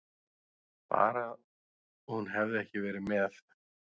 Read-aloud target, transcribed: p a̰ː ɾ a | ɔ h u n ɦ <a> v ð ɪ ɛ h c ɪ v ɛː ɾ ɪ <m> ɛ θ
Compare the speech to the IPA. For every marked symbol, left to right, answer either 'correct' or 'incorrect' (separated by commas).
incorrect, correct